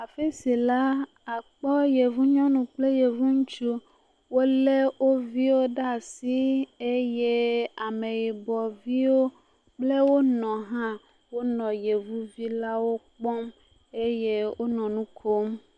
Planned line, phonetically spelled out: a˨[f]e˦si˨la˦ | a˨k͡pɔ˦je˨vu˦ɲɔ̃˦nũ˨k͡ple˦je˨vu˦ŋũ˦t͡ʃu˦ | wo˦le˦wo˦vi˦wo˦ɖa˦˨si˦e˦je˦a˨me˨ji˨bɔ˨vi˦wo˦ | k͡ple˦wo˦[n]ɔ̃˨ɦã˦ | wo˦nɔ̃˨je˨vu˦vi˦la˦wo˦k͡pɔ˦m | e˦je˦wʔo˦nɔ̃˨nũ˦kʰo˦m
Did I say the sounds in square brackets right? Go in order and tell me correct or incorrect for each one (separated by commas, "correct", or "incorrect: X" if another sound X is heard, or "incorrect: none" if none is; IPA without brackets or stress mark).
correct, correct